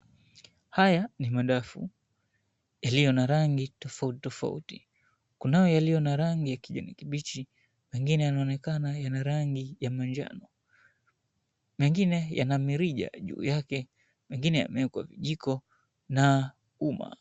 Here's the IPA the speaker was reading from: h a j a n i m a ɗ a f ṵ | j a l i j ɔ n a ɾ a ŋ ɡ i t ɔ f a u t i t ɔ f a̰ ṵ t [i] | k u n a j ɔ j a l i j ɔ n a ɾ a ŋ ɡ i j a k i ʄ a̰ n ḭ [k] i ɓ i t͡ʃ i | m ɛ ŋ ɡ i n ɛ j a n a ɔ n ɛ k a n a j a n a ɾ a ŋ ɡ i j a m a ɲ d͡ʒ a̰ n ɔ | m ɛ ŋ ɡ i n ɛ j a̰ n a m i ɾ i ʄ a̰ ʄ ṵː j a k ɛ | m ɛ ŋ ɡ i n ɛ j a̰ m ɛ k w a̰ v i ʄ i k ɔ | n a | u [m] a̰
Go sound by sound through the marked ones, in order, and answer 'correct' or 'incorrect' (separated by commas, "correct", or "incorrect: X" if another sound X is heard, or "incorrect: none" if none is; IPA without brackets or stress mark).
correct, correct, correct